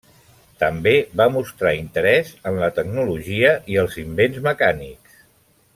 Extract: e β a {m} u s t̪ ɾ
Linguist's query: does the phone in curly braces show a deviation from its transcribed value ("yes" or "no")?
no